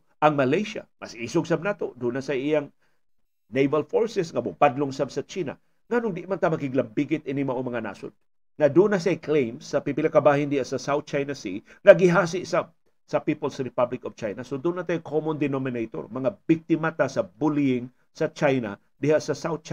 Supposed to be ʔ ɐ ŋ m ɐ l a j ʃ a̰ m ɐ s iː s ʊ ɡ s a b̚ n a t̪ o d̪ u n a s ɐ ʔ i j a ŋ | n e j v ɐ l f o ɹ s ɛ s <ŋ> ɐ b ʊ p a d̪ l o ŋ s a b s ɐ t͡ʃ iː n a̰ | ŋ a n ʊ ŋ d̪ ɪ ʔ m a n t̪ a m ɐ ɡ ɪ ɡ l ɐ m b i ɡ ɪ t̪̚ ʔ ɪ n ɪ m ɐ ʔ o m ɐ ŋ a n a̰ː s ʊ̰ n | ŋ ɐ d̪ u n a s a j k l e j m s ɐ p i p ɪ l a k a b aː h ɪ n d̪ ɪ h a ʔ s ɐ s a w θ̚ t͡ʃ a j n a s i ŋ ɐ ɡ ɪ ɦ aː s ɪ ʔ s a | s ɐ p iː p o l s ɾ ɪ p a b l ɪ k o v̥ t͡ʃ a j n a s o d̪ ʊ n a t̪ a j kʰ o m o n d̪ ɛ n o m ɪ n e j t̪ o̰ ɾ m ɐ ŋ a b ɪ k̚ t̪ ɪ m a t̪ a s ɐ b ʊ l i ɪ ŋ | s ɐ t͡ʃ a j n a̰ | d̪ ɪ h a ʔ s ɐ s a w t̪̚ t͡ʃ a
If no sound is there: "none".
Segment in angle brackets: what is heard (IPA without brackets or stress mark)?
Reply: ŋ